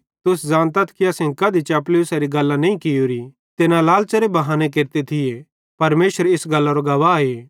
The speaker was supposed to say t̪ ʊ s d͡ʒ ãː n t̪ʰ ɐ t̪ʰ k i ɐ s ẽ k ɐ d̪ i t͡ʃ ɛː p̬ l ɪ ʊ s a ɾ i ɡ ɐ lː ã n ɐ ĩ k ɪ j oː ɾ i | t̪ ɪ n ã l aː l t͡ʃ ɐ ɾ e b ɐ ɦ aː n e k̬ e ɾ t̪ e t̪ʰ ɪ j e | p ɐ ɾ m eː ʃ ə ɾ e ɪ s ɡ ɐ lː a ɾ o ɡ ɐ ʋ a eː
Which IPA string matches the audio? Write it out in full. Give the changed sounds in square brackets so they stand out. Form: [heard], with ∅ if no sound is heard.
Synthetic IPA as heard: t̪ ʊ s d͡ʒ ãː n [t̪] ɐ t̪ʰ k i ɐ s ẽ k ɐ d̪ i t͡ʃ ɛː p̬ l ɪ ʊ s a ɾ i ɡ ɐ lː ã n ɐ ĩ k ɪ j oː ɾ i | t̪ ɪ n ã l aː l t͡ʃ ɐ ɾ e b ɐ ɦ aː n e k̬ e ɾ t̪ e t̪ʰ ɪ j e | p ɐ ɾ m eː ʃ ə ɾ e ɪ s ɡ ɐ lː a ɾ o ɡ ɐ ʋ a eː